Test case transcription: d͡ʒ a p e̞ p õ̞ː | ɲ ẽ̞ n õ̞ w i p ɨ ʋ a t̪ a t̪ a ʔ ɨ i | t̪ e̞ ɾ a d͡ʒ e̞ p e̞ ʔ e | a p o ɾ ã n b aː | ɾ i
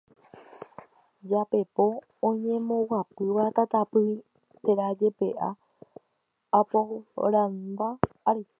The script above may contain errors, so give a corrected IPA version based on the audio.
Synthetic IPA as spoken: d͡ʒ a p e̞ p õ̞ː | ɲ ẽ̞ m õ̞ w a p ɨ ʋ a t̪ a t̪ a p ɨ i | t̪ e̞ ɾ a d͡ʒ e̞ p e̞ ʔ a | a p o ɾ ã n b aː | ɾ i